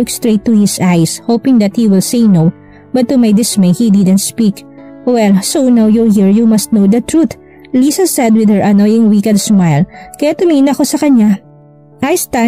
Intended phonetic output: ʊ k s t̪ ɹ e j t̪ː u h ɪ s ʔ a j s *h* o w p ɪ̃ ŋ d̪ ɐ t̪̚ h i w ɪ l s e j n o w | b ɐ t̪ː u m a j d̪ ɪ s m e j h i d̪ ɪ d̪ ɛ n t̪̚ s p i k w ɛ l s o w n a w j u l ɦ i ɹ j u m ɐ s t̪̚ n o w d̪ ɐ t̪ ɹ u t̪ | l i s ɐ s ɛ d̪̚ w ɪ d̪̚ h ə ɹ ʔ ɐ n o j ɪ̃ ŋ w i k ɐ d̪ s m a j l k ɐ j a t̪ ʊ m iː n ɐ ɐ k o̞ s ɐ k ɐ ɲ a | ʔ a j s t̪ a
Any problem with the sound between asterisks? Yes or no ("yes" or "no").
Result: no